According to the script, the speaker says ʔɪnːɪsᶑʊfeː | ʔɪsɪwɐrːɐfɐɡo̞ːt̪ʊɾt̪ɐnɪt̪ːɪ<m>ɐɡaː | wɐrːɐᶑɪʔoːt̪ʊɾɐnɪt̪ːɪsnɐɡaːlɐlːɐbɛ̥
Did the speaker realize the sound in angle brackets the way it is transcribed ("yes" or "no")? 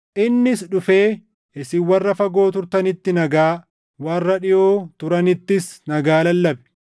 no